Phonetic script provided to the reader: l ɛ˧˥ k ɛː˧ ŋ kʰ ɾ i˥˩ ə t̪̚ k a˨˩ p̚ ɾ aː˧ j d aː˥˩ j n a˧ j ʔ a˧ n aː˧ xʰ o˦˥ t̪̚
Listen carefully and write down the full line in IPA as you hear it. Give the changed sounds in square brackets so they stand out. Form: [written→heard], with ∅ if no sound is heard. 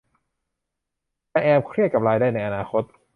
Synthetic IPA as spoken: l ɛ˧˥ [k→ʔ] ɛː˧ [ŋ→m] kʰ ɾ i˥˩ ə t̪̚ k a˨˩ p̚ ɾ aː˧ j d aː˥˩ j n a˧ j ʔ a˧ n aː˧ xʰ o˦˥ t̪̚